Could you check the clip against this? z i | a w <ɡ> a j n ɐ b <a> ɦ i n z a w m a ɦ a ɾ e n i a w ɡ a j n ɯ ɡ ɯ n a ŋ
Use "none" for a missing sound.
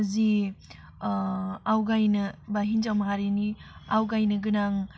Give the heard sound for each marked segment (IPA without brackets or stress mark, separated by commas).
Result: ɡ, a